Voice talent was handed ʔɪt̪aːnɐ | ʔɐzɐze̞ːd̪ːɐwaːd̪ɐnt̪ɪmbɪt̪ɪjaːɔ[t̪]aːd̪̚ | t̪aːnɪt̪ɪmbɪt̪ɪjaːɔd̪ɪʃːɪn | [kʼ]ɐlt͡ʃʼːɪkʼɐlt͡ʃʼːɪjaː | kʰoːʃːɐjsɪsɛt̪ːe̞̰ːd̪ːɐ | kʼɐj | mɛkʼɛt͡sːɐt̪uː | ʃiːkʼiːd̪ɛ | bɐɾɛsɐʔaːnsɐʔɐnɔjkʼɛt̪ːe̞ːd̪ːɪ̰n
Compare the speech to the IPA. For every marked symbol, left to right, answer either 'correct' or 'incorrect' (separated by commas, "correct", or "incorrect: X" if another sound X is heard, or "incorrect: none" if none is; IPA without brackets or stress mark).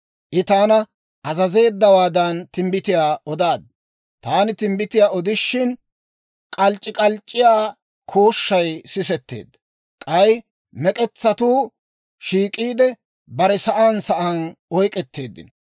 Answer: incorrect: d̪, correct